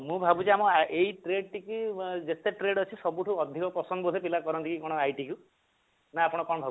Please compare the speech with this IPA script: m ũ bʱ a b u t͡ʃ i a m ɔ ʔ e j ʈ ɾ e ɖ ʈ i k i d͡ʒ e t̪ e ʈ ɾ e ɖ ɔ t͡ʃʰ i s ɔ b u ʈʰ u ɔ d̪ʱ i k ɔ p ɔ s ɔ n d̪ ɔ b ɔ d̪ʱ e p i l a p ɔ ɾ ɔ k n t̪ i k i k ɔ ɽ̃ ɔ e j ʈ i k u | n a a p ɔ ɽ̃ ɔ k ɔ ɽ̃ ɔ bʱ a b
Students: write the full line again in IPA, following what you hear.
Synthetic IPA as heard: m ũ bʱ a b u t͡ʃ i a m ɔ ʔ e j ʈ ɾ e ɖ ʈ i k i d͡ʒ e t̪ e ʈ ɾ e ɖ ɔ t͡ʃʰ i s ɔ b u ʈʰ u ɔ d̪ʱ i k ɔ p ɔ s ɔ n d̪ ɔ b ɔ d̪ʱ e p i l a k ɔ ɾ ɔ n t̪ i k i k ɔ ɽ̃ ɔ a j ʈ i k u | n a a p ɔ ɽ̃ ɔ k ɔ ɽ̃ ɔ bʱ a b